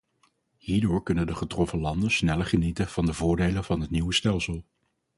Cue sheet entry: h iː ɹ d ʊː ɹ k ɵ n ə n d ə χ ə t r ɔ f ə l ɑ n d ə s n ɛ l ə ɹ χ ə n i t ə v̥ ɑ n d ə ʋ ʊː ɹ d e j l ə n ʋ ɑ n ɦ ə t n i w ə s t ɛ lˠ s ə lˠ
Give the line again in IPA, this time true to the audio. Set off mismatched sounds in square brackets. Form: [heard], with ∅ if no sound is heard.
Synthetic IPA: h iː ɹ d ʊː ɹ k ɵ n ə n d ə χ ə t r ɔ f ə l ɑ n d ə s n ɛ l ə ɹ χ ə n i t ə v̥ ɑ n d ə [v] ʊː ɹ d e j l ə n [v] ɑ n ɦ ə t n i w ə s t ɛ lˠ s ə lˠ

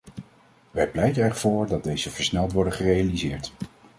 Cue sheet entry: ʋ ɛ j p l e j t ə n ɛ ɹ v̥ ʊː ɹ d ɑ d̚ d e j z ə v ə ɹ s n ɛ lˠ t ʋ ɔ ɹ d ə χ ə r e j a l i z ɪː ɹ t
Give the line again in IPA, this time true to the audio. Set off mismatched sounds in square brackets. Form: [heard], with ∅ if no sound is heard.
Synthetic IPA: ʋ ɛ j p l [ɛ] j t ə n ɛ ɹ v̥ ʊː ɹ d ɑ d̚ d e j z ə v ə ɹ s n ɛ lˠ t ʋ ɔ ɹ d ə χ ə r e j a l i z ɪː ɹ t

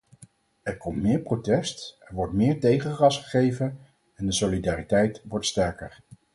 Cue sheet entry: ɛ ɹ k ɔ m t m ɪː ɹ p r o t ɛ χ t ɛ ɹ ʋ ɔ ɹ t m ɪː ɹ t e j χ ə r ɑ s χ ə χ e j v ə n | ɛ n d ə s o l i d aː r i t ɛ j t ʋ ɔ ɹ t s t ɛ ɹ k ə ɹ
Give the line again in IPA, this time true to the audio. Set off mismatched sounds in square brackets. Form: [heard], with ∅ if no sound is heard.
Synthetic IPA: ɛ ɹ k ɔ m t m ɪː ɹ p r o t ɛ [s] t ɛ ɹ ʋ ɔ ɹ t m ɪː ɹ t e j χ ə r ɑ s χ ə χ e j v ə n | ɛ n d ə s o l i d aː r i t ɛ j t ʋ ɔ ɹ t s t ɛ ɹ k ə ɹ

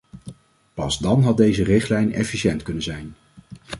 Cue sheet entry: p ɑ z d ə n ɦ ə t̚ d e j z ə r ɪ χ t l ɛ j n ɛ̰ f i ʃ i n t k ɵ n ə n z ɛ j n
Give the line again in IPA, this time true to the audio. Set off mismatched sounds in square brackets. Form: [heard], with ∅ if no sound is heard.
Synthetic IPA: p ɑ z d [ɑ] n ɦ [ɑ] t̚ d e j z ə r ɪ χ t l ɛ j n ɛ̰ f i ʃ [ɛ] n t k ɵ n ə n z ɛ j n

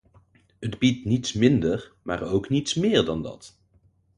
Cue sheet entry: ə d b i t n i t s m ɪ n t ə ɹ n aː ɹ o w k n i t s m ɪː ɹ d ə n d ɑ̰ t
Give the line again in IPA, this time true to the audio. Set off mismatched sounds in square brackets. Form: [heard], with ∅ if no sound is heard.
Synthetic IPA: ə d b i t n i t s m ɪ n [d] ə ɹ [m] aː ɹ o w k n i t s m ɪː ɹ d [ɑ] n d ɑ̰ t

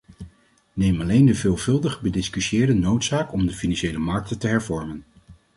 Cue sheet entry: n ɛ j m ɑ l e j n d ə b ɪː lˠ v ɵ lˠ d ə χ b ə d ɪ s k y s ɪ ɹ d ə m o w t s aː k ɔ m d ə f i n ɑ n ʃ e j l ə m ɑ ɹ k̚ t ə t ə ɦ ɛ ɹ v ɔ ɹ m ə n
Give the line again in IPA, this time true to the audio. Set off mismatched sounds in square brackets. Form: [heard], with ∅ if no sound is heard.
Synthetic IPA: n [e] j m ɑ l e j n d ə [v] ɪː lˠ v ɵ lˠ d ə χ b ə d ɪ s k y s [ɪː] ɹ d ə [n] o w t s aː k ɔ m d ə f i n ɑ n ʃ e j l ə m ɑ ɹ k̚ t ə t ə ɦ ɛ ɹ v ɔ ɹ m ə n

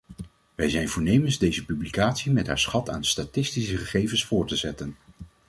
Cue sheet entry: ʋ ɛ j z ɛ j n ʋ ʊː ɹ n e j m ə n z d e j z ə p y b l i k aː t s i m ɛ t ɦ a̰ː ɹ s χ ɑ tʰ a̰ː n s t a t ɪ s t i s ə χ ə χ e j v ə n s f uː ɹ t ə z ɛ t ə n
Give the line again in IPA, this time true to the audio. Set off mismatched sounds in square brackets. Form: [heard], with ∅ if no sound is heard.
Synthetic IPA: ʋ ɛ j z ɛ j n [v] ʊː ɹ n e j m ə n z d e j z ə p y b l i k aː t s i m ɛ t ɦ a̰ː ɹ s χ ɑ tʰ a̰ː n s t a t ɪ s t i s ə χ ə χ e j v ə n s f [ʊː] ɹ t ə z ɛ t ə n

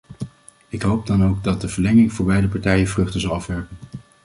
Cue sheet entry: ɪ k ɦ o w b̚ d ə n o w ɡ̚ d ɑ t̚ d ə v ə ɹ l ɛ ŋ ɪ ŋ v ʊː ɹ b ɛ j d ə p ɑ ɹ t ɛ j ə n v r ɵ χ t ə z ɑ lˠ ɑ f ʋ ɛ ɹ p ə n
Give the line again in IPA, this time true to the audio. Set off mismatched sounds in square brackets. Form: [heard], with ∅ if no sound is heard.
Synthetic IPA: ɪ k ɦ o w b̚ d [ɑ] n o w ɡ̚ d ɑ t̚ d ə v ə ɹ l ɛ ŋ ɪ ŋ v ʊː ɹ b ɛ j d ə p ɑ ɹ t ɛ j ə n v r ɵ χ t ə z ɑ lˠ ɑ f ʋ ɛ ɹ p ə n

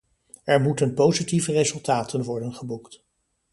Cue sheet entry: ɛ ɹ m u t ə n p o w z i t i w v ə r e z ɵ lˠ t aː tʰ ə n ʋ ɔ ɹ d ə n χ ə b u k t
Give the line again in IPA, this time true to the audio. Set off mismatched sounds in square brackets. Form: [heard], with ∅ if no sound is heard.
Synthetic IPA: ɛ ɹ m u t ə n p o w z i t i [∅] v ə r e z ɵ lˠ t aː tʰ ə n ʋ ɔ ɹ d ə n χ ə b u k t

